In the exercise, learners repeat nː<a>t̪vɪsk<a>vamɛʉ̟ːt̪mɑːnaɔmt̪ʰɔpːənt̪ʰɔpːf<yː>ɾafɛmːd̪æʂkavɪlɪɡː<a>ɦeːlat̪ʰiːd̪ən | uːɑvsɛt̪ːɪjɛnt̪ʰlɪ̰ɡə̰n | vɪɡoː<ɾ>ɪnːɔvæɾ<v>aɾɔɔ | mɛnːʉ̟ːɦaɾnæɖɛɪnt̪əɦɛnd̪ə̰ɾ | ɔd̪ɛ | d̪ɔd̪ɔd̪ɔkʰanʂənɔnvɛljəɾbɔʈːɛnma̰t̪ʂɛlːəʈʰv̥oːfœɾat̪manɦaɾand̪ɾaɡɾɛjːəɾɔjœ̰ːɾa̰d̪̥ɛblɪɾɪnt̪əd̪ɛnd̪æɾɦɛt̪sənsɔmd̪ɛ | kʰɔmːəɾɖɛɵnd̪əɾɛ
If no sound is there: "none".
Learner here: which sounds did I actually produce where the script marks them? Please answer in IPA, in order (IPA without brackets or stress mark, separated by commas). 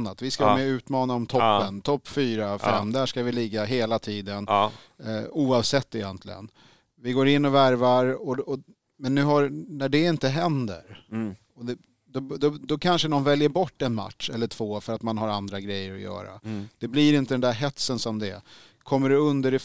a, a, yː, a, ɾ, v